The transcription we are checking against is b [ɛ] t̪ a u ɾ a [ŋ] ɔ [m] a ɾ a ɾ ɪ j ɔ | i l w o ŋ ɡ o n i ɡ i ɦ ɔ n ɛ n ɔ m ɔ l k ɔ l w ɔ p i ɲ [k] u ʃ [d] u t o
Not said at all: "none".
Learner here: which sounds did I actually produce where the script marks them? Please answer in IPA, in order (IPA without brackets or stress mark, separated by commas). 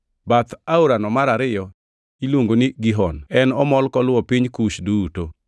a, n, m, k, d